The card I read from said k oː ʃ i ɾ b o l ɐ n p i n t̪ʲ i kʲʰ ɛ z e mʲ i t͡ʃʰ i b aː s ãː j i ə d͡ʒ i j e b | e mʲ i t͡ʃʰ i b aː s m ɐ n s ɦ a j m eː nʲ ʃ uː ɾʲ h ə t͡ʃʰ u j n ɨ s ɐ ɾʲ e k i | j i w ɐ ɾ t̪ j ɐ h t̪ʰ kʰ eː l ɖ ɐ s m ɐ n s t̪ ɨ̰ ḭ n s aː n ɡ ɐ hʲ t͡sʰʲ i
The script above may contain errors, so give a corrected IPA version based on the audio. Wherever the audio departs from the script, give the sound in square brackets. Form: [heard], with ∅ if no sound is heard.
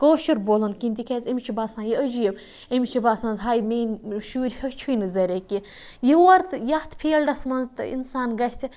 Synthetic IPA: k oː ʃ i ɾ b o l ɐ n [k] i n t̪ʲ i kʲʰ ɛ z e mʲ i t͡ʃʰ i b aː s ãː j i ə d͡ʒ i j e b | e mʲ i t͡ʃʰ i b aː s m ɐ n [z] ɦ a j m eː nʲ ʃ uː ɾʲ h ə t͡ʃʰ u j n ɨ [z] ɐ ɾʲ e k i | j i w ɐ ɾ t̪ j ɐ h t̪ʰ [pʰ] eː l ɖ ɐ s m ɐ n [z] t̪ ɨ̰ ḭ n s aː n ɡ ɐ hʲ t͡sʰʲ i

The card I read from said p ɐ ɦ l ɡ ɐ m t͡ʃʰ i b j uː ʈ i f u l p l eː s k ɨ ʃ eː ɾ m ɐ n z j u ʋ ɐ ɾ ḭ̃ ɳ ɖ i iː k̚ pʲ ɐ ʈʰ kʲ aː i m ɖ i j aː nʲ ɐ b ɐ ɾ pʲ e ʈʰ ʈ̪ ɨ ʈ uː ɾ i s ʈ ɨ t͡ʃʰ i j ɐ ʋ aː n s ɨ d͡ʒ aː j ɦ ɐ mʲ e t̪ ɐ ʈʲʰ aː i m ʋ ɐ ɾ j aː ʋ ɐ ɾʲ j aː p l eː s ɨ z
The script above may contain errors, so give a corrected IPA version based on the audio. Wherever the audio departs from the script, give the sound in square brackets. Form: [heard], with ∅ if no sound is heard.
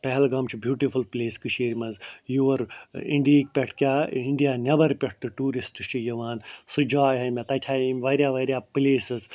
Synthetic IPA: p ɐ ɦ l ɡ ɐ m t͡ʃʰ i b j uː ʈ i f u l p l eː s k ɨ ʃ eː ɾ m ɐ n z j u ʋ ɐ ɾ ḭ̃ ɳ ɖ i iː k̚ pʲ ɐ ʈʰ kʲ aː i [ɳ] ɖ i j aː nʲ ɐ b ɐ ɾ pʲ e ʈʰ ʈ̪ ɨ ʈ uː ɾ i s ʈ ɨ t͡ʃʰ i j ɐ ʋ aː n s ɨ d͡ʒ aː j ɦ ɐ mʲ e t̪ ɐ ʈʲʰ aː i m ʋ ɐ ɾ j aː ʋ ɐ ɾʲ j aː p l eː s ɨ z

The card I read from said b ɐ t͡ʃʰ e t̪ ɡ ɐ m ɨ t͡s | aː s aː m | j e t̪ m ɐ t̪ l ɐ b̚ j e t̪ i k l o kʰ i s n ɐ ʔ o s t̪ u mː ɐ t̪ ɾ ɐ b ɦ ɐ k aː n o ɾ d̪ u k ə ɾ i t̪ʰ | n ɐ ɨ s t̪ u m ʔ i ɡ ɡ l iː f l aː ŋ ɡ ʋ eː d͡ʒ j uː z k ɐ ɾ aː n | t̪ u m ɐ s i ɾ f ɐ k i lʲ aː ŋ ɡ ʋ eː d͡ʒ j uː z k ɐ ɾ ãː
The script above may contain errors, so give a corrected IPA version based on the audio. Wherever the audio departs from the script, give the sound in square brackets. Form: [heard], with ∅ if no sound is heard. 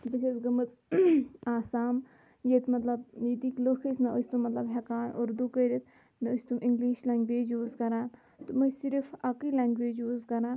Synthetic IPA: b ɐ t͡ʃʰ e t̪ ɡ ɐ m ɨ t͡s | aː s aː m | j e t̪ m ɐ t̪ l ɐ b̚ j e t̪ i k l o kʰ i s n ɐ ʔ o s t̪ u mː ɐ t̪ [l] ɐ b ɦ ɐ k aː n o ɾ d̪ u k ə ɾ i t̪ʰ | n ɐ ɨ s t̪ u m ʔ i [ŋ] ɡ l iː [ʃ] l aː ŋ ɡ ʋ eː d͡ʒ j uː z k ɐ ɾ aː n | t̪ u m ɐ s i ɾ f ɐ k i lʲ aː ŋ ɡ ʋ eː d͡ʒ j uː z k ɐ ɾ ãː

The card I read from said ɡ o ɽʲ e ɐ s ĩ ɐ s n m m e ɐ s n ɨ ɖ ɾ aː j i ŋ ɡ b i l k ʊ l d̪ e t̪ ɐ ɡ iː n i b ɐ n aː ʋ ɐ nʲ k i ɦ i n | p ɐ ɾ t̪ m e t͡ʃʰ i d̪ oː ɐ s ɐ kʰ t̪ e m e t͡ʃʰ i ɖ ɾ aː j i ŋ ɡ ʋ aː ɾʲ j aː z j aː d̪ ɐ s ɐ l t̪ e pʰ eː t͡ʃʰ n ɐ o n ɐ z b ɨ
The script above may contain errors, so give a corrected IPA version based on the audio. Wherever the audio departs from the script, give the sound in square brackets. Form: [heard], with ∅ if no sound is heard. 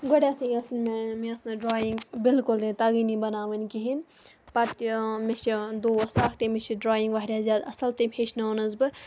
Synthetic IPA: ɡ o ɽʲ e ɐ s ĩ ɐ s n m m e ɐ s n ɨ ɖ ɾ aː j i ŋ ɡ b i l k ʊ l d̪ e t̪ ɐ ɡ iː n i b ɐ n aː ʋ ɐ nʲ k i ɦ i n | p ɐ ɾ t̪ m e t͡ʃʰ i d̪ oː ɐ s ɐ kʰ t̪ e m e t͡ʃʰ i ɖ ɾ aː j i ŋ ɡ ʋ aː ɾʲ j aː z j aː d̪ ɐ s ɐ l t̪ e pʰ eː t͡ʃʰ n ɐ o n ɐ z b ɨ

